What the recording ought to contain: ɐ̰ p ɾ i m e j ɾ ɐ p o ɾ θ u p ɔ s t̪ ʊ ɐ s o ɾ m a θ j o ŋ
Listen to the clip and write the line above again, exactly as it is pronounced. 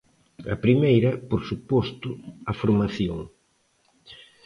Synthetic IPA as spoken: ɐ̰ p ɾ i m e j ɾ ɐ p o ɾ s u p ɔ s t̪ ʊ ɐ f o ɾ m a θ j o ŋ